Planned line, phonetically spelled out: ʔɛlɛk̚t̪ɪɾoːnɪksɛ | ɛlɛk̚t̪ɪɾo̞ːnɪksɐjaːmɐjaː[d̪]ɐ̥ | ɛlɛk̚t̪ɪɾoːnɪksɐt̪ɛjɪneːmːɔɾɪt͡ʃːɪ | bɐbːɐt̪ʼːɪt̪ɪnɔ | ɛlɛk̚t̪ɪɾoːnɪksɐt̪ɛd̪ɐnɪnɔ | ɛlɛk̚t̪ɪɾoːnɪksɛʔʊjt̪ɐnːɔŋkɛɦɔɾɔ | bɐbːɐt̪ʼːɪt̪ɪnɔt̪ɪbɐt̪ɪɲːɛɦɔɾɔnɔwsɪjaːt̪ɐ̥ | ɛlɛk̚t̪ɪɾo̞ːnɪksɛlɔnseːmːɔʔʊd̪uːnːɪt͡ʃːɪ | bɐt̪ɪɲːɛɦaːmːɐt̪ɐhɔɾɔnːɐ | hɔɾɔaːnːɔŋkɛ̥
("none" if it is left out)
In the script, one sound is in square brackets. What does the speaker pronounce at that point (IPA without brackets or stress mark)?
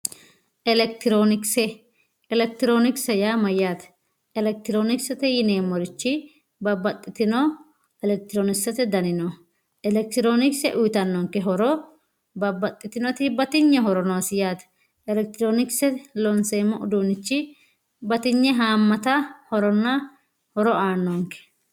t̪